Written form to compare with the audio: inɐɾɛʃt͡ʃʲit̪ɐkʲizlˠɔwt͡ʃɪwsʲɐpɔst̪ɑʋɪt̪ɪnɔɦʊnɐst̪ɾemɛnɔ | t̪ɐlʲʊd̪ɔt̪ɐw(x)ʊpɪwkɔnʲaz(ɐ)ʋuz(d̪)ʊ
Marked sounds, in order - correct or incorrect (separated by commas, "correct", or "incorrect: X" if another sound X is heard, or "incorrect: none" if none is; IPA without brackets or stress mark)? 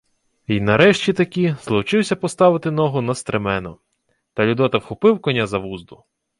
correct, correct, correct